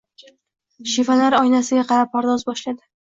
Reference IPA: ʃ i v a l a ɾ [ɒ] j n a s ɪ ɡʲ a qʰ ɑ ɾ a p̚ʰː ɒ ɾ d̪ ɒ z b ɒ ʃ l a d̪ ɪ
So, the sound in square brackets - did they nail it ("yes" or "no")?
yes